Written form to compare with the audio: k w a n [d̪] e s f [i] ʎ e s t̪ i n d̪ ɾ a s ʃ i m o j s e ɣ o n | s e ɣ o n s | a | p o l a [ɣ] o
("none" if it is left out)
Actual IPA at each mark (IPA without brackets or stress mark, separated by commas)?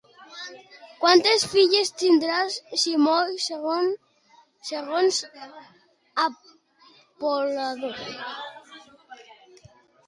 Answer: t̪, i, ð